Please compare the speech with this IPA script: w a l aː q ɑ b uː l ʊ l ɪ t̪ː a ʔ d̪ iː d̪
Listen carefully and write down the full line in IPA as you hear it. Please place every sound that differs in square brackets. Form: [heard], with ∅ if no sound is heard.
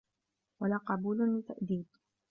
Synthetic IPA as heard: w a l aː q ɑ b uː l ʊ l ɪ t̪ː a ʔ d̪ iː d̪